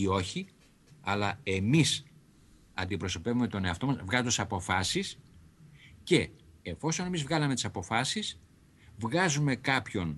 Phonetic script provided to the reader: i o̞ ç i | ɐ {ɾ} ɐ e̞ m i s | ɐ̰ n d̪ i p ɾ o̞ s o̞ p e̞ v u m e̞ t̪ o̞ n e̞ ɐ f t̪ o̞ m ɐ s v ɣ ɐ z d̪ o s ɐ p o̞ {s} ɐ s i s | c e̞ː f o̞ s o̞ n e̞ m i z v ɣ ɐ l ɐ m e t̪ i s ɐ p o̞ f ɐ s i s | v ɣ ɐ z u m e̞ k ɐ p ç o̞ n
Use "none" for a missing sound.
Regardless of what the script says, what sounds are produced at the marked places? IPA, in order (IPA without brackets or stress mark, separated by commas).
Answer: l, f